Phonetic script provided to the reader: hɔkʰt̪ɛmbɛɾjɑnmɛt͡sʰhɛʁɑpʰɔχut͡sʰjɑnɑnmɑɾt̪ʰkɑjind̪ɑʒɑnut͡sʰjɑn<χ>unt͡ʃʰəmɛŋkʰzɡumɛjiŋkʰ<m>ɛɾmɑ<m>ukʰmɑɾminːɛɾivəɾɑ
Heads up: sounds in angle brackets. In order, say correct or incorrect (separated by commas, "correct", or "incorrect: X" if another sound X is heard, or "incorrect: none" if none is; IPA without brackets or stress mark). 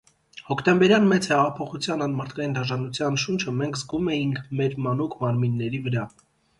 incorrect: ʃ, correct, incorrect: n